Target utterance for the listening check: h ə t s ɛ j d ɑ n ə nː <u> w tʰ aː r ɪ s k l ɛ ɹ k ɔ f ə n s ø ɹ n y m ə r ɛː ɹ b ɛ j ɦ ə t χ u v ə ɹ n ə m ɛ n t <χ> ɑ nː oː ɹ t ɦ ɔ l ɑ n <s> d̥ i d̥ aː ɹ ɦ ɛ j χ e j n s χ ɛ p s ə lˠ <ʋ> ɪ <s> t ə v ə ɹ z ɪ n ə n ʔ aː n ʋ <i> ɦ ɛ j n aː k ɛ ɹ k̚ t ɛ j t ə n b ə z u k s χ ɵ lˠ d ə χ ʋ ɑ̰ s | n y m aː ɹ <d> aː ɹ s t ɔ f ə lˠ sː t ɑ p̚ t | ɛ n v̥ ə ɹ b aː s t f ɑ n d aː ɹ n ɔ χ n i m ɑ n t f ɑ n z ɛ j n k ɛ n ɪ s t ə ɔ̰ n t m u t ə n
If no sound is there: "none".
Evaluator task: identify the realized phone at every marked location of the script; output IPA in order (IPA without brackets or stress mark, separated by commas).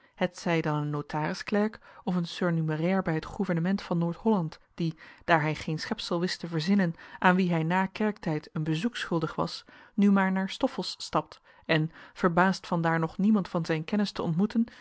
o, f, t, ʋ, s, i, n